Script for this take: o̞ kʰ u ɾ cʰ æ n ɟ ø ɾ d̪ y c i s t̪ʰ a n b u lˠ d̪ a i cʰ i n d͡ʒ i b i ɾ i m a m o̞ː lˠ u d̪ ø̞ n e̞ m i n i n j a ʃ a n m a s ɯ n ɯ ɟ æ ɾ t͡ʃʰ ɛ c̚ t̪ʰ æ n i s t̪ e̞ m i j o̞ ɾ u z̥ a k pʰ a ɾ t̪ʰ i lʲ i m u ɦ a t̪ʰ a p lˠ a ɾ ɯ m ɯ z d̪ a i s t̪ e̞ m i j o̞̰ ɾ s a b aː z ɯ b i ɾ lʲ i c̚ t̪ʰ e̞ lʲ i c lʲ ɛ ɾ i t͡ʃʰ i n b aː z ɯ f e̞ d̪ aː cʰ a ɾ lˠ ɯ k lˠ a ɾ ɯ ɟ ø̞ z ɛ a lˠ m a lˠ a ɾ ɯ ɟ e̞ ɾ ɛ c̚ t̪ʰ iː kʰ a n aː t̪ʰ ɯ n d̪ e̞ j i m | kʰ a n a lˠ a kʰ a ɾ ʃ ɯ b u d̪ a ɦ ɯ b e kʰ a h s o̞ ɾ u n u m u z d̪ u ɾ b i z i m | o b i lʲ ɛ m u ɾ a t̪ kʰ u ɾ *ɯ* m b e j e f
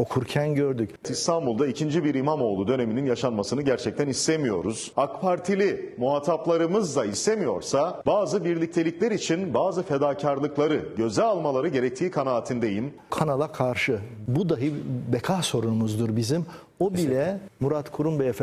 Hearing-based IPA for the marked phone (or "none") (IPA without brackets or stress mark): u